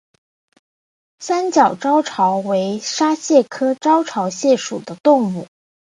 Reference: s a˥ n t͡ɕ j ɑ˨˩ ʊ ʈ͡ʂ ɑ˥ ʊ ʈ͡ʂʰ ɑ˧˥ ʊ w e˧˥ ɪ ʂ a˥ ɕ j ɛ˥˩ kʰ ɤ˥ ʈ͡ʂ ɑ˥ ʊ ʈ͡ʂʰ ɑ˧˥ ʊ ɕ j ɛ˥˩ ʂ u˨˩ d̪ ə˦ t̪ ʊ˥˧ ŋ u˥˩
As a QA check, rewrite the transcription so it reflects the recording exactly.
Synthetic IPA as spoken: s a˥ n t͡ɕ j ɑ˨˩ ʊ ʈ͡ʂ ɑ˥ ʊ ʈ͡ʂʰ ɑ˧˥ ʊ w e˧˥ ɪ ʂ a˥ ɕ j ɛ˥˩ kʰ ɤ˥ ʈ͡ʂ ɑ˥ ʊ ʈ͡ʂʰ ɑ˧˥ ʊ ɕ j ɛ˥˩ ʂ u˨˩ d̪ ə˦ t̪ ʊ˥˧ ŋ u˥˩